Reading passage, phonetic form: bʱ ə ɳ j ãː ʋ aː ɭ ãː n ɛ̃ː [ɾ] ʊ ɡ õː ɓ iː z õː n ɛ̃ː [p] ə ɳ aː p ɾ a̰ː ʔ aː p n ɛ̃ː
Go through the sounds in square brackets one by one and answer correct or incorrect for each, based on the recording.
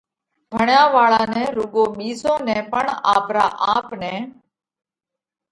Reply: correct, correct

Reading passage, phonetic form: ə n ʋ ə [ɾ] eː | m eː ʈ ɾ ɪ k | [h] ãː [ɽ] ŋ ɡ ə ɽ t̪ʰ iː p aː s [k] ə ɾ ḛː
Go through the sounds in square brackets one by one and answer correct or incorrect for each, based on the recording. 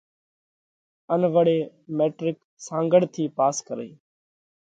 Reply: incorrect: ɽ, incorrect: s, incorrect: none, correct

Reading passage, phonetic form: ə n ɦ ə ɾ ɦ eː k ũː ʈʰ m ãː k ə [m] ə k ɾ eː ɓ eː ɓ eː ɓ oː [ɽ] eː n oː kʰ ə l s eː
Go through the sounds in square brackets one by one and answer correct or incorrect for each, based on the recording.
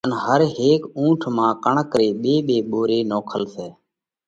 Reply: incorrect: ɳ, incorrect: ɾ

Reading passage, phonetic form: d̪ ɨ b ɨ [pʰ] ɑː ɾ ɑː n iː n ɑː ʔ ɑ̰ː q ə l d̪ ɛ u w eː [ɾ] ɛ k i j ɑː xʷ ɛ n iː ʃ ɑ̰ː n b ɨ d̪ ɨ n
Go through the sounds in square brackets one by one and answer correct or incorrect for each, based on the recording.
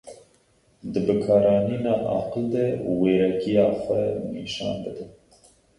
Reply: incorrect: kʰ, correct

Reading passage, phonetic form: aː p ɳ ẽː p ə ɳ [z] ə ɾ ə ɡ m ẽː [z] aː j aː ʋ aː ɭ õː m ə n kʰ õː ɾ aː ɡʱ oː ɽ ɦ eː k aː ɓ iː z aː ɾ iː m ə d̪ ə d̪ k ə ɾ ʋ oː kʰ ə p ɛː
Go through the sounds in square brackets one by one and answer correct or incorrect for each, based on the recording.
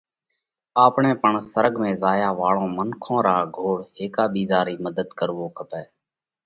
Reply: incorrect: s, correct

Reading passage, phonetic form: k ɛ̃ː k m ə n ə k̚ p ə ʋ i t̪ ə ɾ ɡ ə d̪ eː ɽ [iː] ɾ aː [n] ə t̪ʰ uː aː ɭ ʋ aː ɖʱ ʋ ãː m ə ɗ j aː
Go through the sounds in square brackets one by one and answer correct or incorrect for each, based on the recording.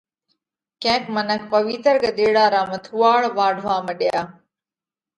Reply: incorrect: aː, incorrect: m

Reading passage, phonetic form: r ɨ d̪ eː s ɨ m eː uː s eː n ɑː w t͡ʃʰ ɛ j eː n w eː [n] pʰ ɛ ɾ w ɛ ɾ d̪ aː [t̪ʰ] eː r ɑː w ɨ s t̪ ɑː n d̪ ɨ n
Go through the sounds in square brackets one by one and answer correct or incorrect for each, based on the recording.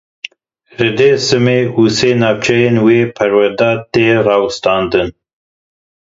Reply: incorrect: none, incorrect: t̪

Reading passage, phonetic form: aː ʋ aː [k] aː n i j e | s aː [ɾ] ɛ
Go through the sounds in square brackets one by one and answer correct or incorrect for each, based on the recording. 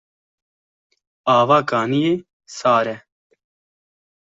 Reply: correct, correct

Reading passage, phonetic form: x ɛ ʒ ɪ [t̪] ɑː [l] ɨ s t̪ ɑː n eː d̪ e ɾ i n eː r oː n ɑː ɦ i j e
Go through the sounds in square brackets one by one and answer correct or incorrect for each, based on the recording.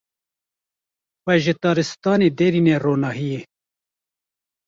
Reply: correct, incorrect: ɾ

